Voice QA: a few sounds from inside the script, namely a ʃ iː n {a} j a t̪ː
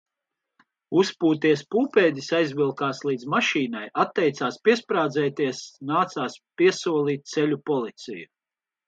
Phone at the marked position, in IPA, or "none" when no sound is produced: a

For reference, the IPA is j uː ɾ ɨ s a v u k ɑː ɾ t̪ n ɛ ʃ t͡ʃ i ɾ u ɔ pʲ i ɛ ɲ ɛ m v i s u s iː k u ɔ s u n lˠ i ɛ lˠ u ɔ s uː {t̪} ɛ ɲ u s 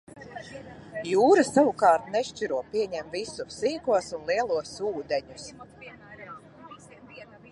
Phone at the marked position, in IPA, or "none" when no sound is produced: d̪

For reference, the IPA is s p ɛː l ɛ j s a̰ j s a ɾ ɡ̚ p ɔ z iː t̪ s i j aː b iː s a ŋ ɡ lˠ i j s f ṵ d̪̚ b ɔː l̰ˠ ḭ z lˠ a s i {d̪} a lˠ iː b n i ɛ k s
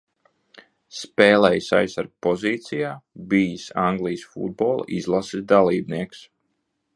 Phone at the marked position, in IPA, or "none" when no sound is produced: d̪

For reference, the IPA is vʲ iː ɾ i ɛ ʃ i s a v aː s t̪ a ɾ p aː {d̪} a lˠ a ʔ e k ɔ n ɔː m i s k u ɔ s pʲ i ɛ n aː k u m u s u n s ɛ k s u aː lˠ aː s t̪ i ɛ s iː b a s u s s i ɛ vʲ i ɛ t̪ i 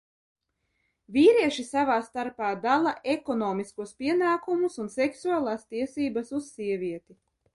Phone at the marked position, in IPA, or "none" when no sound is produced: d̪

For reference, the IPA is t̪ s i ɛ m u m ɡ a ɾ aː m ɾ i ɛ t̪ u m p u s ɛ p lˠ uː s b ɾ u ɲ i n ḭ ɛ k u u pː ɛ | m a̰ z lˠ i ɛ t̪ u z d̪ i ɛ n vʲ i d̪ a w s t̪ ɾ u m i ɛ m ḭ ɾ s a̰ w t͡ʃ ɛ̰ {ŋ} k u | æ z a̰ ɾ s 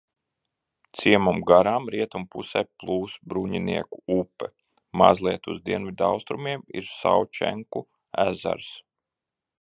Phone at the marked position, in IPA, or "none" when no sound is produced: ŋ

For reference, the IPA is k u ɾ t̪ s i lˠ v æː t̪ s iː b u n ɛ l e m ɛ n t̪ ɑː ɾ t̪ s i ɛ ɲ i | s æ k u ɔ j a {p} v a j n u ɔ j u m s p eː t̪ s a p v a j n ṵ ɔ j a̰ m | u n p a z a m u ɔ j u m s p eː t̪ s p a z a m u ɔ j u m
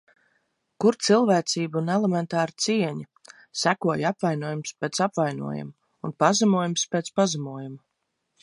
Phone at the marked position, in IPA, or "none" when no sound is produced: p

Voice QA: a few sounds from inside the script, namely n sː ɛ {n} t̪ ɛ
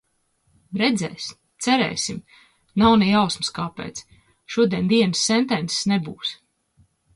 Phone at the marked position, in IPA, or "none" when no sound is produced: n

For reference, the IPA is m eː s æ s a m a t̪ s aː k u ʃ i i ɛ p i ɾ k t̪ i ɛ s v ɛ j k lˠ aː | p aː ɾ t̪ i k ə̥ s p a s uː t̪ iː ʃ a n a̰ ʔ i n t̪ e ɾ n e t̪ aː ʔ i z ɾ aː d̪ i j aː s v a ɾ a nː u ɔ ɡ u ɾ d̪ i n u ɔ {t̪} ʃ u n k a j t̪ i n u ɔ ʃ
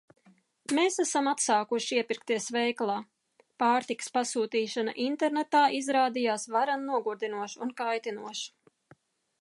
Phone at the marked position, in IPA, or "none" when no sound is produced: none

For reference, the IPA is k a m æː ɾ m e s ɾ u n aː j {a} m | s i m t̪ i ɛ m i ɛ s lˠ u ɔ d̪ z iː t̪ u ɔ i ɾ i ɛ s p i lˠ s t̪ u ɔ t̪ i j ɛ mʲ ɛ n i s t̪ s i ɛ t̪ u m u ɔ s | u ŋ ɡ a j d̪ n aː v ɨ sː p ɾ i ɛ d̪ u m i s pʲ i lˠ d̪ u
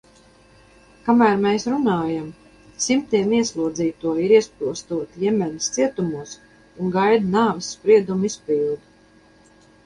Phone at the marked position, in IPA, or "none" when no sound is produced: a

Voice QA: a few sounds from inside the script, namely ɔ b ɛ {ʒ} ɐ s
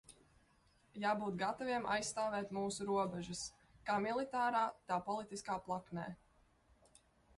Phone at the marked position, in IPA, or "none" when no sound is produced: ʒ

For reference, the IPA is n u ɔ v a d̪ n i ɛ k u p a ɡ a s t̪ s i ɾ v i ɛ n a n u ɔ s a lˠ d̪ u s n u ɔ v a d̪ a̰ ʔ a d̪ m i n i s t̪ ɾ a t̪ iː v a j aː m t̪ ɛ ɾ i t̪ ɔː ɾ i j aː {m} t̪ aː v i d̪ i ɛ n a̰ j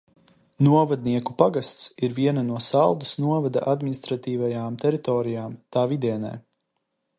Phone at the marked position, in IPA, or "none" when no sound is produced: m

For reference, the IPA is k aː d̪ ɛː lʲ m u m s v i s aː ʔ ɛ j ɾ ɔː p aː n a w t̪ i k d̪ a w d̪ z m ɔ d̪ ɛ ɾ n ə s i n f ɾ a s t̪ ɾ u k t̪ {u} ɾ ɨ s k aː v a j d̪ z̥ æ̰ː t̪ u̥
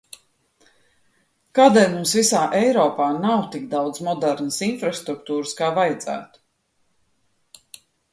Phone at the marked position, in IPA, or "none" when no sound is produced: uː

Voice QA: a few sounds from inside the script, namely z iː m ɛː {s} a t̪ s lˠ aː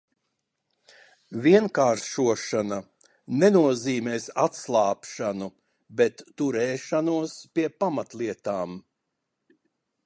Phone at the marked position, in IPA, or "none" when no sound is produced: s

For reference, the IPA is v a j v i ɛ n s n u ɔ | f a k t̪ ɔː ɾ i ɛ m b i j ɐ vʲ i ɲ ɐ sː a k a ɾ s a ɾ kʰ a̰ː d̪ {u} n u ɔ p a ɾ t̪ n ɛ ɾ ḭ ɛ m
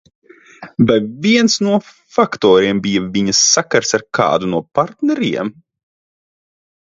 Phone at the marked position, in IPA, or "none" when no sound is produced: u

